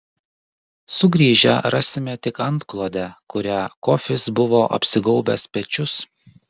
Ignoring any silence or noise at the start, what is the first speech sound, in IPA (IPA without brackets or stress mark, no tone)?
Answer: s